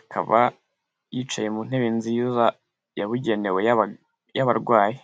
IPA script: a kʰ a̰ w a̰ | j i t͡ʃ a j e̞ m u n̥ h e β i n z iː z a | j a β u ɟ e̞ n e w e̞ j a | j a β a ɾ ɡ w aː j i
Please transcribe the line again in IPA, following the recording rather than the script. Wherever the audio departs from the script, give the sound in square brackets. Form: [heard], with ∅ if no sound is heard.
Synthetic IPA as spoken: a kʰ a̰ [β] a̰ | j i t͡ʃ a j e̞ m u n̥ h e β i n z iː z a | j a β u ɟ e̞ n e w e̞ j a | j a β a ɾ ɡ w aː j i